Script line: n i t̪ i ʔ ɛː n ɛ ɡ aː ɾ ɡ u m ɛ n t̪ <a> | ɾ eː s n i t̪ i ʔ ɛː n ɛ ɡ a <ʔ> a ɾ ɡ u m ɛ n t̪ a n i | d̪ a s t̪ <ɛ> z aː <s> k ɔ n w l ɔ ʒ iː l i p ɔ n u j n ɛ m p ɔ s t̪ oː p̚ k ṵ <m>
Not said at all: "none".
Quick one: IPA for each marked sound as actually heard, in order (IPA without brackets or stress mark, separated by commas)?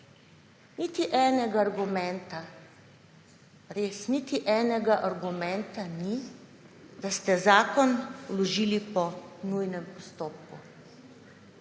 a, ʔ, ɛ, none, none